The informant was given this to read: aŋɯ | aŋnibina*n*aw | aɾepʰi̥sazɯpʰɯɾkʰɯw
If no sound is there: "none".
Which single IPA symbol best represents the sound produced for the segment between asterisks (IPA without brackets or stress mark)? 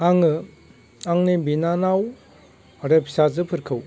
n